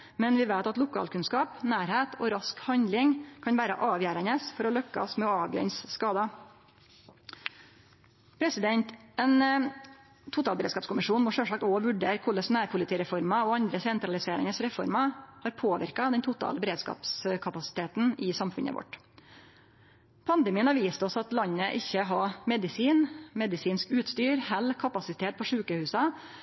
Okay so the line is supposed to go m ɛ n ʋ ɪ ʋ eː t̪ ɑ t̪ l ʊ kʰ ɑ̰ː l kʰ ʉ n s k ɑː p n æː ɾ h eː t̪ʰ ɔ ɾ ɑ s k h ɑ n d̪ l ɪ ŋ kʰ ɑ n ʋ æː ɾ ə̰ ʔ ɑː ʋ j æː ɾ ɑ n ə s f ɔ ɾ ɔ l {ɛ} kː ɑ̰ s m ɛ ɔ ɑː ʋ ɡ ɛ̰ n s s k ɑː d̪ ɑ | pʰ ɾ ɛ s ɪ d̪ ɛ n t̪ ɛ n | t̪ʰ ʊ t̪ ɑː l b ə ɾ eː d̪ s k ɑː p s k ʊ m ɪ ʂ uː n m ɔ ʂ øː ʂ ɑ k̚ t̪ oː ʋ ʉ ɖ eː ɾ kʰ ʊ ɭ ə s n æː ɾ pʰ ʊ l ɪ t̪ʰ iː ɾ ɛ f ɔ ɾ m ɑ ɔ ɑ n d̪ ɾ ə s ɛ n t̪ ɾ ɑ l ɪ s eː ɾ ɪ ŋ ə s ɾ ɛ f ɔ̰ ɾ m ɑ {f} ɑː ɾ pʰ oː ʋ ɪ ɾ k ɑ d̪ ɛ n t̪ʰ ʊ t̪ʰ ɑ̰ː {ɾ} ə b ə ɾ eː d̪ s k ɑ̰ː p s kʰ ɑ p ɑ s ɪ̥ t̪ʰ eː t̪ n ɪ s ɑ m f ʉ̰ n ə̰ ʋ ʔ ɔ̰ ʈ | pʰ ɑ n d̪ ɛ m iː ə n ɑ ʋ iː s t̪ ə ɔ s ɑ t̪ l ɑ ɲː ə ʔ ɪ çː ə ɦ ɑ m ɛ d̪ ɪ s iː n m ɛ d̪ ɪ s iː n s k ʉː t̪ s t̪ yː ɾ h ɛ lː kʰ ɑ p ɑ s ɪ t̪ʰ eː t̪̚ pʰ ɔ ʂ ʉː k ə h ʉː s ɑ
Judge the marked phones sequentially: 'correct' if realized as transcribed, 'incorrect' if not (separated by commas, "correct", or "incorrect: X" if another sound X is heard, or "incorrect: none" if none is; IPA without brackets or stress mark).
incorrect: œ, incorrect: h, incorrect: l